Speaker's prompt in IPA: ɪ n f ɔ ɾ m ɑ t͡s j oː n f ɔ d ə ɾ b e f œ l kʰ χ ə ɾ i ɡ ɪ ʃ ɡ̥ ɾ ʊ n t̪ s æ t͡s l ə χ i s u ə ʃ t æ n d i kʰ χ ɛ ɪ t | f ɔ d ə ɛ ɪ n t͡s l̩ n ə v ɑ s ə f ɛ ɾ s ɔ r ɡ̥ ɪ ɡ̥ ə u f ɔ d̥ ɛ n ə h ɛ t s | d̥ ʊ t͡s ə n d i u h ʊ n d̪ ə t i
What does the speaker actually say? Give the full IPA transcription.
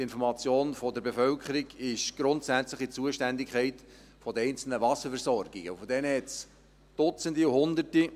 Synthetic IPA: ɪ n f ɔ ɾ m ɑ t͡s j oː n f ɔ d ə ɾ b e f œ l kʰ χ ə ɾ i ɡ ɪ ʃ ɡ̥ ɾ ʊ n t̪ s æ t͡s l ə χ i t͡s u ə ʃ t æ n d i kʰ χ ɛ ɪ t | f ɔ d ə ɛ ɪ n t͡s l̩ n ə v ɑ s ə f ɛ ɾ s ɔ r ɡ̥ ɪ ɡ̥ ə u f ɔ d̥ ɛ n ə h ɛ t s | d̥ ʊ t͡s ə n d i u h ʊ n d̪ ə t i